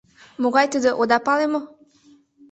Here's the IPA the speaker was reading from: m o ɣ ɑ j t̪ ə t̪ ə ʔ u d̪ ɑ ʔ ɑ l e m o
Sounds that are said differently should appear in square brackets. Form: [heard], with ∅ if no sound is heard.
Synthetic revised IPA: m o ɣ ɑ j t̪ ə [d̪] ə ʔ [o] d̪ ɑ [p] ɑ l e m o